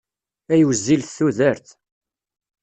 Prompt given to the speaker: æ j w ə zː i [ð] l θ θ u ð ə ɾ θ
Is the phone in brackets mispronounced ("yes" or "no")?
yes